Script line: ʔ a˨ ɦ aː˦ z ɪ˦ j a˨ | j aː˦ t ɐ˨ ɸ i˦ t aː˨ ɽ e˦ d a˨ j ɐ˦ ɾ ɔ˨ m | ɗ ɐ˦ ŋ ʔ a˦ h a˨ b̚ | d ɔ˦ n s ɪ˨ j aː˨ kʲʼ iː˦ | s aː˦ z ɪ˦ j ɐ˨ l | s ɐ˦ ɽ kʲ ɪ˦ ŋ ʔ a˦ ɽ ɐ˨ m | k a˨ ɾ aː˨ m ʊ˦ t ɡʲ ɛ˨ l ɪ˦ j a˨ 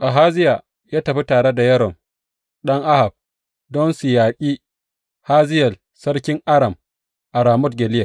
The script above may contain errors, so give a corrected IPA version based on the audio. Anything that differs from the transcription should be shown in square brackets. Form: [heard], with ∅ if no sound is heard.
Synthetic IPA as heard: ʔ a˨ ɦ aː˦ z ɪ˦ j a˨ | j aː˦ t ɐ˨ ɸ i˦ t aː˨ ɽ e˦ d a˨ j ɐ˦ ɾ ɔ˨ m | ɗ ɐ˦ ŋ ʔ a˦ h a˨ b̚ | d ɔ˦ n s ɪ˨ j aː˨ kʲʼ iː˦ | [h] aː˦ z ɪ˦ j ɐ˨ l | s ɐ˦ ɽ kʲ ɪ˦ ŋ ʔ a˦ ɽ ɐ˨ m | [ʔ] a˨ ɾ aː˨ m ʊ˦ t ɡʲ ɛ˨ l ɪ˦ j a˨

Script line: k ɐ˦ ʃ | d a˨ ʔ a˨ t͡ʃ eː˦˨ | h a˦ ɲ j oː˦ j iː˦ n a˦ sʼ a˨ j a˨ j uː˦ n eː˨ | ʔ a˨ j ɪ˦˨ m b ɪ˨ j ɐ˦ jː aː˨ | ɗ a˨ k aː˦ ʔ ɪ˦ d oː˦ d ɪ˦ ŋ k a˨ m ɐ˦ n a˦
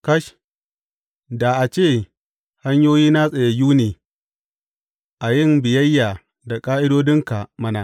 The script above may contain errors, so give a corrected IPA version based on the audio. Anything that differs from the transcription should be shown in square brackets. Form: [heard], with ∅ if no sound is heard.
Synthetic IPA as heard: k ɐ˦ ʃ | d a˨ ʔ a˨ t͡ʃ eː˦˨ | h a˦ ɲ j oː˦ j iː˦ n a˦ sʼ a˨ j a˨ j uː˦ n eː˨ | ʔ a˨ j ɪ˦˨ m b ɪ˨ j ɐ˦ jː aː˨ | [d] a˨ [kʼ] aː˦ ʔ ɪ˦ d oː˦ d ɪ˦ ŋ k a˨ m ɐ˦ n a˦

